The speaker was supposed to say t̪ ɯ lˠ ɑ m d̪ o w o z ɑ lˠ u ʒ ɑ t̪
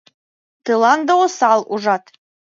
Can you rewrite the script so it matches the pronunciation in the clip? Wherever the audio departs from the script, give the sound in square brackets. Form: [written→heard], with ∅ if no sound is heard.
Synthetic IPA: t̪ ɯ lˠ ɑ [m→n] d̪ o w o [z→s] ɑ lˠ u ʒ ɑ t̪